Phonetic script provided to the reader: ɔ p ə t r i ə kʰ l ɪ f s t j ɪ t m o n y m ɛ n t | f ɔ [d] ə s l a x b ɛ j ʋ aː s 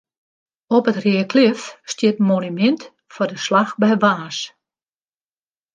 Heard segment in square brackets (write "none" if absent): d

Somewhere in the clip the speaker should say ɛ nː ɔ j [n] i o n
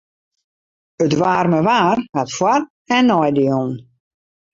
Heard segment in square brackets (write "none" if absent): d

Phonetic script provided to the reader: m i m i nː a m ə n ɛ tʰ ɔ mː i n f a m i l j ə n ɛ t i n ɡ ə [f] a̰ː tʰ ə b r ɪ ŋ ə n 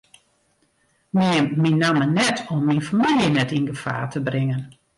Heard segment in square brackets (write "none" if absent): f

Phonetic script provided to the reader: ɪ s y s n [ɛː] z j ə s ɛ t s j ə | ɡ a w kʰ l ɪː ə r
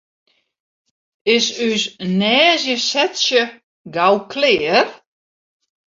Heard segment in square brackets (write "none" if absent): ɛː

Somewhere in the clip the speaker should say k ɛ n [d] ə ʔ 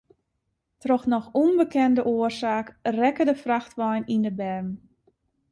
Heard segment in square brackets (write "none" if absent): d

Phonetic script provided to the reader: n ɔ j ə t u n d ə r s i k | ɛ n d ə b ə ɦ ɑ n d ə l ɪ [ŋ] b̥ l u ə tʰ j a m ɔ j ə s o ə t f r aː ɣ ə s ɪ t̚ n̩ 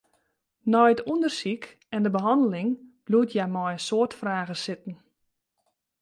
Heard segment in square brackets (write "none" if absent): ŋ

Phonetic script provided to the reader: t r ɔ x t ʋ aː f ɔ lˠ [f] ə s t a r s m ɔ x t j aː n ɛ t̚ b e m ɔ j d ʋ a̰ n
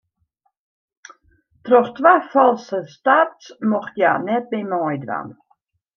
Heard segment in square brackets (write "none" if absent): s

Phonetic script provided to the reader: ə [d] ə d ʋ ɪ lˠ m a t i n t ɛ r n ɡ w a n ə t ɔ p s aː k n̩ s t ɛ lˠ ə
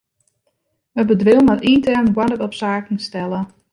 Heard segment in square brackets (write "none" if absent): b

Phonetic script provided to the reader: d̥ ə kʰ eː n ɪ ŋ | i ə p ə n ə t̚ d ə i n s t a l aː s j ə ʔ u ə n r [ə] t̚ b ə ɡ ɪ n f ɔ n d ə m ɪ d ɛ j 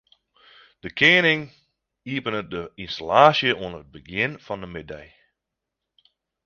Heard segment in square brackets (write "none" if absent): ə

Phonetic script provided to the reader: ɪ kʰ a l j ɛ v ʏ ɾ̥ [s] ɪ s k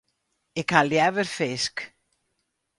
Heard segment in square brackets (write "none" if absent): f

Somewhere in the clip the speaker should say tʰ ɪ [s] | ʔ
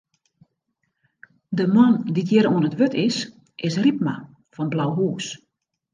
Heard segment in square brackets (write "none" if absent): s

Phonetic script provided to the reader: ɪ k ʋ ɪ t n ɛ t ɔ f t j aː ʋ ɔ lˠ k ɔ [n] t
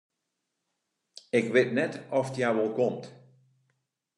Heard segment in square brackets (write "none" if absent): m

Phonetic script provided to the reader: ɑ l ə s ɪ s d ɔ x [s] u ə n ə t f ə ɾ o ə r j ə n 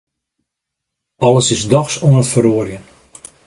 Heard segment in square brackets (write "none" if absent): s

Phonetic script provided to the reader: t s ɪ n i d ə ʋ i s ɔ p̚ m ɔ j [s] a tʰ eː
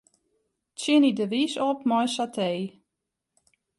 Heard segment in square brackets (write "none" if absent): s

